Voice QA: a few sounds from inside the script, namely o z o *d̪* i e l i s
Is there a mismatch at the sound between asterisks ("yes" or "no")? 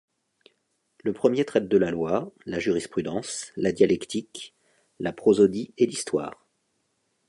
no